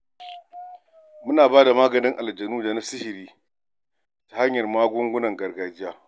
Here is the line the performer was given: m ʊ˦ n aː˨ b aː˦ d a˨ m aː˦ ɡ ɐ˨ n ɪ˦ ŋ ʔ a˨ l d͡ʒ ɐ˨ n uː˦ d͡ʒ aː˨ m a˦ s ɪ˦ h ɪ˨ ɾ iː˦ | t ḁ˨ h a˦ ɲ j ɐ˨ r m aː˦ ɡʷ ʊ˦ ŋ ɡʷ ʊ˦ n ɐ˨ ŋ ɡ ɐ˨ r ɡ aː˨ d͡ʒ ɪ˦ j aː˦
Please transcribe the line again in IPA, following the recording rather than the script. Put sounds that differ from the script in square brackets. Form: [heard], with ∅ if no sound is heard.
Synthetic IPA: m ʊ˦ n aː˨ b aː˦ d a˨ m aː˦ ɡ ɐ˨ n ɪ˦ ŋ ʔ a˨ l d͡ʒ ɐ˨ n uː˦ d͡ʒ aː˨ [n] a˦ s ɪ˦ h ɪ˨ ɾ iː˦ | t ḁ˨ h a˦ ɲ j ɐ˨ r m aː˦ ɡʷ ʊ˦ ŋ ɡʷ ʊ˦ n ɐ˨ ŋ ɡ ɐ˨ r ɡ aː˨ d͡ʒ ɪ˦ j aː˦

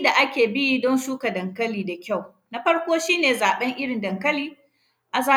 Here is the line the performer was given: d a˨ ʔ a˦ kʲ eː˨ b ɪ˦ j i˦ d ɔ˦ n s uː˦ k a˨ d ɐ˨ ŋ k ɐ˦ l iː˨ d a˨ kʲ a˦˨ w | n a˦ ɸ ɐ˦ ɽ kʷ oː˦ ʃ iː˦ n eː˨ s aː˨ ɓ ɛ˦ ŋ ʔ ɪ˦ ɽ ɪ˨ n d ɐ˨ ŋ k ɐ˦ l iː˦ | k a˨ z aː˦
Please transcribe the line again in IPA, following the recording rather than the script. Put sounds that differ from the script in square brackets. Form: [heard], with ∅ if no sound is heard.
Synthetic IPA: d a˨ ʔ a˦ kʲ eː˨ b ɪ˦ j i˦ d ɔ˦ n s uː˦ k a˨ d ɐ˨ ŋ k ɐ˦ l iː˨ d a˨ kʲ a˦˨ w | n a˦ ɸ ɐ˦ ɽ kʷ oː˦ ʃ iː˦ n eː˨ [z] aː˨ ɓ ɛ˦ ŋ ʔ ɪ˦ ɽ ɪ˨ n d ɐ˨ ŋ k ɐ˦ l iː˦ | [ʔ] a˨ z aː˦

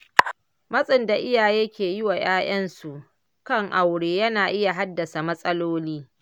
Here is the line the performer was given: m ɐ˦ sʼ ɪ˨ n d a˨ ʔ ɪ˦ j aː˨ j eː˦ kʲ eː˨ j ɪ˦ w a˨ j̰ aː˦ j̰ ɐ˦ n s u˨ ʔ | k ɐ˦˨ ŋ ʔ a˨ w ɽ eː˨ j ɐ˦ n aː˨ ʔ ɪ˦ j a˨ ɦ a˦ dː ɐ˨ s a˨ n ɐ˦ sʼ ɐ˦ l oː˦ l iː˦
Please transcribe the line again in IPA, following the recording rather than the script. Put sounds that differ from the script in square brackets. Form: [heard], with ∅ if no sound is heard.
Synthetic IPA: m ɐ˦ sʼ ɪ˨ n d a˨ ʔ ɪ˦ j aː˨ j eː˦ kʲ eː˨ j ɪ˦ w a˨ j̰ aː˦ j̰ ɐ˦ n s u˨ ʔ | k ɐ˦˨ ŋ ʔ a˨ w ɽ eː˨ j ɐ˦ n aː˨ ʔ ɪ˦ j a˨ ɦ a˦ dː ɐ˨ s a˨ [m] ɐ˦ sʼ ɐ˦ l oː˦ l iː˦

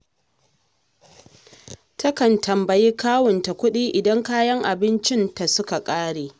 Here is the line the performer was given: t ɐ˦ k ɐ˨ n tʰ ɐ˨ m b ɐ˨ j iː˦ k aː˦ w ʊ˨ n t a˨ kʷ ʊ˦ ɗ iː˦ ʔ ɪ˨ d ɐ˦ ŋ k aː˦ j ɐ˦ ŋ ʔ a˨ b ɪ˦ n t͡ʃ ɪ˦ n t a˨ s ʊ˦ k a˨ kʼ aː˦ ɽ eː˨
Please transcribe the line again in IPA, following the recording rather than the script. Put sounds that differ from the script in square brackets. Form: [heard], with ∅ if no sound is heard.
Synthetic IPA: t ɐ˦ k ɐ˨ n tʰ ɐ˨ m b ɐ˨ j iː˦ k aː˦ w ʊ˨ n t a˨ kʷ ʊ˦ ɗ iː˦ ʔ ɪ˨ d ɐ˦ ŋ k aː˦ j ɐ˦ ŋ ʔ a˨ b ɪ˦ n t͡ʃ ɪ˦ n t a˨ s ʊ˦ k a˨ kʼ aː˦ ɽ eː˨

